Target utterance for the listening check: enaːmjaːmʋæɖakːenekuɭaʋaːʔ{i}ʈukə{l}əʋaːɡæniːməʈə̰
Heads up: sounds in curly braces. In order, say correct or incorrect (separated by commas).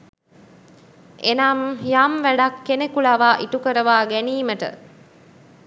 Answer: correct, incorrect